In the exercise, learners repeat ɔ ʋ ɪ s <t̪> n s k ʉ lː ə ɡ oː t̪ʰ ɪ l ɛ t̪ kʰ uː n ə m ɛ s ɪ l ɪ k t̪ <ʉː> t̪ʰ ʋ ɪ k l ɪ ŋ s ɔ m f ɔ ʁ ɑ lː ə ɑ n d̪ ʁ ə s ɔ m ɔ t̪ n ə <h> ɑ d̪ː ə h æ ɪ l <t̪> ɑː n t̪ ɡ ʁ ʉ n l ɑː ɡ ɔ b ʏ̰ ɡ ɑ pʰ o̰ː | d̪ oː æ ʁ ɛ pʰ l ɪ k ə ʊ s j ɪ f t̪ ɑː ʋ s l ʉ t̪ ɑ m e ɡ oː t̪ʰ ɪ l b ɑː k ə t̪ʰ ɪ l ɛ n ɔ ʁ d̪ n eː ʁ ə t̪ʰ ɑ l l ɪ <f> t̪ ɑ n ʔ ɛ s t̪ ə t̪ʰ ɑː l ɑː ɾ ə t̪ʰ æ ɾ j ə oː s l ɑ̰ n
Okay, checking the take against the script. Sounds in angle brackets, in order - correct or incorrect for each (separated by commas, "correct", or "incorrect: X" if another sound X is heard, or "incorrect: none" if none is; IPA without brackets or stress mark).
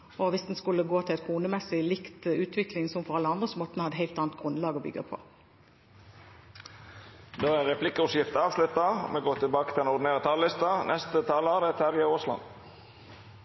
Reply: incorrect: d̪, correct, correct, correct, incorrect: s